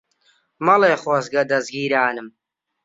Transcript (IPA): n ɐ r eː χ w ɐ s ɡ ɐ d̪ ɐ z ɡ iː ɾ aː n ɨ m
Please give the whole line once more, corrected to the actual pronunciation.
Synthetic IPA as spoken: m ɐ l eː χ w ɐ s ɡ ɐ d̪ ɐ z ɡ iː ɾ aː n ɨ m